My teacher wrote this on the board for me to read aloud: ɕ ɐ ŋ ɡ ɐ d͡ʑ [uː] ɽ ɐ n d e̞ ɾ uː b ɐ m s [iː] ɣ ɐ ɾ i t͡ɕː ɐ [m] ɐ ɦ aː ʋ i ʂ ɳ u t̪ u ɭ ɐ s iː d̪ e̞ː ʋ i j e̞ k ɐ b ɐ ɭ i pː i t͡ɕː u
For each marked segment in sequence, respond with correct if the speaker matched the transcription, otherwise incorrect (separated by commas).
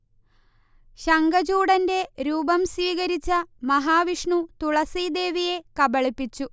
correct, correct, correct